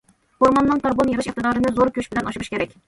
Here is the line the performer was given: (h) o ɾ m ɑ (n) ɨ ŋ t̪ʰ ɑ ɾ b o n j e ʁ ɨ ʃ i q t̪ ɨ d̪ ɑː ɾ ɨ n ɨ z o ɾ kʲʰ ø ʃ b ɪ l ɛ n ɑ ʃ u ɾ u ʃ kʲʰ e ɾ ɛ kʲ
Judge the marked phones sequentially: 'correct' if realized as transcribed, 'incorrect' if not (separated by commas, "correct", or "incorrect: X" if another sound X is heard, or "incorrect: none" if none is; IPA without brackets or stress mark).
correct, incorrect: nː